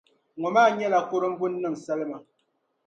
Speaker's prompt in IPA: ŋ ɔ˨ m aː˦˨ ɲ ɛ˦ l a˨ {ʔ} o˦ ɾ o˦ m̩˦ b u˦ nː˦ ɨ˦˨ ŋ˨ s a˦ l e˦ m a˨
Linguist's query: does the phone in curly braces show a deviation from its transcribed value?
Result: yes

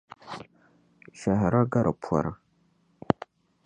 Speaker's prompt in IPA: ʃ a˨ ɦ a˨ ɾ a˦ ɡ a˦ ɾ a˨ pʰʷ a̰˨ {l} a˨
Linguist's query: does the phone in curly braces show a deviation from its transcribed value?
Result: yes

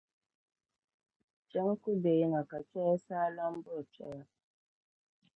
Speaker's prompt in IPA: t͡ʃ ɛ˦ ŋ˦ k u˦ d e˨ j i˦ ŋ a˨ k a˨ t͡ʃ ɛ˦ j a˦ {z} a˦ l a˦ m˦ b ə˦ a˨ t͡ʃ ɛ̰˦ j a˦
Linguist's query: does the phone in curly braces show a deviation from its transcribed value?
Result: yes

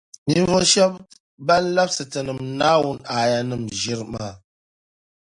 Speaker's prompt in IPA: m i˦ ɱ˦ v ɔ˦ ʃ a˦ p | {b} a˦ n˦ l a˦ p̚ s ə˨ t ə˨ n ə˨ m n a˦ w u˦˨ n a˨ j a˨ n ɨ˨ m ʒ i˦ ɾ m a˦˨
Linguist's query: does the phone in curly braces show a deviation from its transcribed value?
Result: no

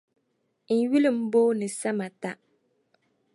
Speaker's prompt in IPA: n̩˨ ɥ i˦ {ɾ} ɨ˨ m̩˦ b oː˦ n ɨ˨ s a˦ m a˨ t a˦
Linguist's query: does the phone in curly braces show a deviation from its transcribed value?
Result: yes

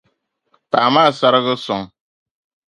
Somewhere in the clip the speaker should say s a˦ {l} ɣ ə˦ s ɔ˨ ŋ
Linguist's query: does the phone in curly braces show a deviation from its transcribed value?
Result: yes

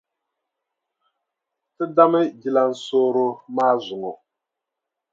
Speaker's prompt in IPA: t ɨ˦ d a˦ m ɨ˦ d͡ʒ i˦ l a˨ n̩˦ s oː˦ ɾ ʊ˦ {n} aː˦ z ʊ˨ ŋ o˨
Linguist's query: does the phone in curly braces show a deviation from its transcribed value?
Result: yes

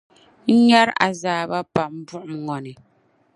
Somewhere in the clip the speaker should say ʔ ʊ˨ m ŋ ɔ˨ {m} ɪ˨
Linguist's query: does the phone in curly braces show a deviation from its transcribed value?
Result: yes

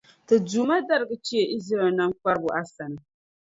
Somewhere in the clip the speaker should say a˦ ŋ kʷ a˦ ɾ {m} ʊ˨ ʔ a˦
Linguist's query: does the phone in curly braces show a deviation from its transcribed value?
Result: yes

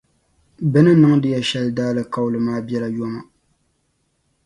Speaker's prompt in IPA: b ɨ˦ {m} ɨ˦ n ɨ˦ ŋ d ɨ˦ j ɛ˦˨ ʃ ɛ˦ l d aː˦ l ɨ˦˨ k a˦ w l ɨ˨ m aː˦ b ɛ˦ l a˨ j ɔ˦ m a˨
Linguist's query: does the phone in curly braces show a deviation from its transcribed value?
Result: yes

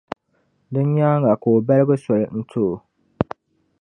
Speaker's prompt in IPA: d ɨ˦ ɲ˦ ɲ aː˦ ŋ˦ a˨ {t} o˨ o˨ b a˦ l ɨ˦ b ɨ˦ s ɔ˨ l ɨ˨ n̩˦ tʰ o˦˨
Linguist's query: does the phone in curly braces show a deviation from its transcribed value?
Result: yes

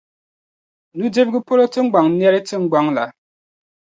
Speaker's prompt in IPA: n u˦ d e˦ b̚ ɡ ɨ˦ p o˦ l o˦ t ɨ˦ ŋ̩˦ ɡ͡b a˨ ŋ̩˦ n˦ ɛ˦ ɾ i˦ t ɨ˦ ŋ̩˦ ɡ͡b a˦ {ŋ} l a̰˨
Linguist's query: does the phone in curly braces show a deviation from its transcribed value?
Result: no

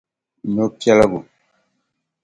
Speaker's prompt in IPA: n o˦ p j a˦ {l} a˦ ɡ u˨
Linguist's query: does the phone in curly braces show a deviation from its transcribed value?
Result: no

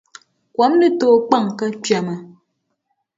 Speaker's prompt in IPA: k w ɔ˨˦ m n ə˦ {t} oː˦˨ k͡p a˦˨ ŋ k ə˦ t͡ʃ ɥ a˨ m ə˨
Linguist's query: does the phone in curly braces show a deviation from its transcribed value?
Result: no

